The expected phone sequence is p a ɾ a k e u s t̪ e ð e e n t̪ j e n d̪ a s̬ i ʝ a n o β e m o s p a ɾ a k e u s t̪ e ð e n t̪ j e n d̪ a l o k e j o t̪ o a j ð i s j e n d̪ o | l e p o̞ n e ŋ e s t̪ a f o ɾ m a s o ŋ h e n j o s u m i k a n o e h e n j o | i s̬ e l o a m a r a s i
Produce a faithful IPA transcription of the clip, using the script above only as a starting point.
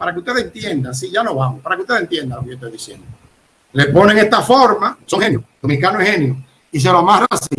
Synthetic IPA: p a ɾ a k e u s t̪ e ð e e n t̪ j e n d̪ a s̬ i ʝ a n o β a m o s p a ɾ a k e u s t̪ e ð e n t̪ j e n d̪ a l o k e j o t̪ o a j ð i s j e n d̪ o | l e p o̞ n e ŋ e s t̪ a f o ɾ m a s o ŋ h e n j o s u m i k a n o e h e n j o | i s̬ e l o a m a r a s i